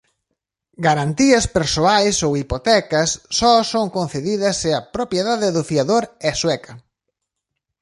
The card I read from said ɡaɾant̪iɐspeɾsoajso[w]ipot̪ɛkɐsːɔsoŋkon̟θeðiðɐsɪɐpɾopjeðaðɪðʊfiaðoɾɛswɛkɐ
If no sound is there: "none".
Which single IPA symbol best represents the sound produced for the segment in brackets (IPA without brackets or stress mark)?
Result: w